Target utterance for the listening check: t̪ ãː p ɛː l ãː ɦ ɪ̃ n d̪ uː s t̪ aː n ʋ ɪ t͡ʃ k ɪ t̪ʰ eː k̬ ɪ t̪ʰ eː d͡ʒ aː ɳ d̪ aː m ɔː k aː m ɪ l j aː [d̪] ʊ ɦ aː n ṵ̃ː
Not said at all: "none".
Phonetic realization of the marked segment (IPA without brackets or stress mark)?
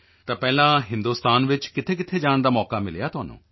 t̪